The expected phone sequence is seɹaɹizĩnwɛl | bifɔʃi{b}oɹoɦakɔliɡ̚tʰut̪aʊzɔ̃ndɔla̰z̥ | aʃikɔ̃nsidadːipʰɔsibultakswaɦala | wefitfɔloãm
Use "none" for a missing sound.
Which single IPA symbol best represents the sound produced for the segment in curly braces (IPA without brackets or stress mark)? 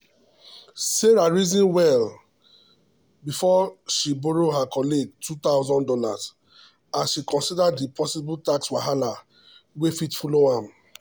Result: b